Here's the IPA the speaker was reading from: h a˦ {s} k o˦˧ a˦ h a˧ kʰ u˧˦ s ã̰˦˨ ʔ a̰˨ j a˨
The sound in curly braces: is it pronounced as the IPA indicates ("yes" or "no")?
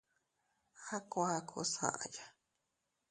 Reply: no